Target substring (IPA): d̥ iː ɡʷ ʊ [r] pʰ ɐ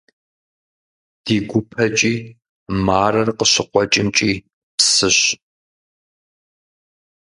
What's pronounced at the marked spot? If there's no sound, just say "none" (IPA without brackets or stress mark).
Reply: none